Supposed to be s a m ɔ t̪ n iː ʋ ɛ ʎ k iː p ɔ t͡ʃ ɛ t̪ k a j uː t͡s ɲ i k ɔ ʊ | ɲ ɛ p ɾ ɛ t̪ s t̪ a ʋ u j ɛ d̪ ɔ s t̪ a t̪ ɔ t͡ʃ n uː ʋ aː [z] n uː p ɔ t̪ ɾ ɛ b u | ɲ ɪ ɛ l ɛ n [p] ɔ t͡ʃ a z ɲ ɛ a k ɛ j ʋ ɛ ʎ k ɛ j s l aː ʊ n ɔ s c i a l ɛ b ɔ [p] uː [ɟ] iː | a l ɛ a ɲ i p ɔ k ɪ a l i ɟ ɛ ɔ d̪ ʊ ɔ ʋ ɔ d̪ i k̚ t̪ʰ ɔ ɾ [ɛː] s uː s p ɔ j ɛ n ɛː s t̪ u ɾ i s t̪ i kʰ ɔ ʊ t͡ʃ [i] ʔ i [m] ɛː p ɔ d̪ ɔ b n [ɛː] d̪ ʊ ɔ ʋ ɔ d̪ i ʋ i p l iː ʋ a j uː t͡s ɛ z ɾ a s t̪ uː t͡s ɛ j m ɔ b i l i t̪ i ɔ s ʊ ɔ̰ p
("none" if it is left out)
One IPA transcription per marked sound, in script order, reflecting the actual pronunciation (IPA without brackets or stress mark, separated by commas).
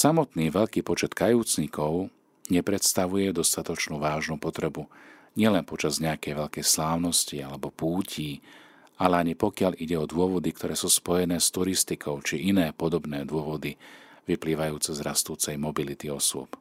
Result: ʒ, p, p, c, ɛː, i, n, ɛː